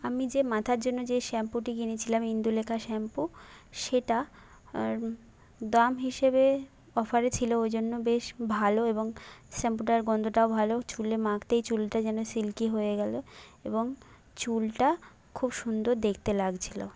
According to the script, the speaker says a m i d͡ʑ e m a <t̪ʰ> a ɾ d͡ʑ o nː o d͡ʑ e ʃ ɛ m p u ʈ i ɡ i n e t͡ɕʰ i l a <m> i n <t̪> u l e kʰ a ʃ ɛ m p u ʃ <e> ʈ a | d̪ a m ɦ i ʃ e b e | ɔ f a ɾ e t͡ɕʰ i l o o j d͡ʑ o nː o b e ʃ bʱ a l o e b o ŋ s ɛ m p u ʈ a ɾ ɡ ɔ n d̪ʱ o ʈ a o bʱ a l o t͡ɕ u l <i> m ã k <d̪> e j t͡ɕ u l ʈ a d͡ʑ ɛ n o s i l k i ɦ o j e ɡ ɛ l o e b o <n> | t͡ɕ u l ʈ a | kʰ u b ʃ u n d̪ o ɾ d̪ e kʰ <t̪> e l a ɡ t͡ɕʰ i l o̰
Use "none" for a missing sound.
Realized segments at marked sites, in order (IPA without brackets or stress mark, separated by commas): t̪ʰ, m, d̪, e, e, t̪, ŋ, t̪